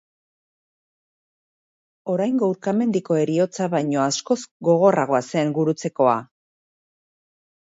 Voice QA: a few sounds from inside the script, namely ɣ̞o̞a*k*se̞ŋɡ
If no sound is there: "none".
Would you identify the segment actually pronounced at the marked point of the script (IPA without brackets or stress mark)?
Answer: none